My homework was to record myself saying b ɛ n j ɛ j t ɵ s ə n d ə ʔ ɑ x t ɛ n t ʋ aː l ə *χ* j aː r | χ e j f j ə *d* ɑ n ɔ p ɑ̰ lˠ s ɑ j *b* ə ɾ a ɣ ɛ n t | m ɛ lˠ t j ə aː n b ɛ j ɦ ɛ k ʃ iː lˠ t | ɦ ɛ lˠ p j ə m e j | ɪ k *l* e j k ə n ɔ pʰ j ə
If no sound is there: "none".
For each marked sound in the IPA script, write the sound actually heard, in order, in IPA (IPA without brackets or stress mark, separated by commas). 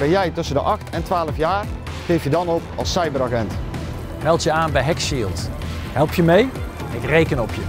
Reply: f, d, b, r